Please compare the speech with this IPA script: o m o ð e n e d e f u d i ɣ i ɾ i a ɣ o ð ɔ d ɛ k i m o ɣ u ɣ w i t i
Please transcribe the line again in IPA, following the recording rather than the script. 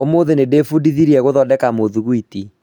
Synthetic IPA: o m o ð e n e d e f u d i ð i ɾ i ɛ ɣ o ð ɔ d ɛ k a m o ð u ɣ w i t i